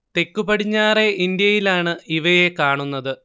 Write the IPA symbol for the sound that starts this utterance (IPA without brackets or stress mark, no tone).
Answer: t̪